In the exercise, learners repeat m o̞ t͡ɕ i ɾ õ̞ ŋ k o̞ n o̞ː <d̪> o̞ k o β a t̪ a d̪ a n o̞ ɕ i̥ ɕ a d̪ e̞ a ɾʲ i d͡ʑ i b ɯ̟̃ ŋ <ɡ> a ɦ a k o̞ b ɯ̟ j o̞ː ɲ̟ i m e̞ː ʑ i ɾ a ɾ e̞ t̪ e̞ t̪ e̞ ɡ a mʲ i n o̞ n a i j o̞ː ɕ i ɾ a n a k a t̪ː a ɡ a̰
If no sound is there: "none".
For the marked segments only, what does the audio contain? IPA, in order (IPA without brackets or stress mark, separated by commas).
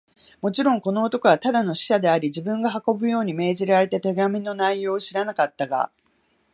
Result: t̪, ɡ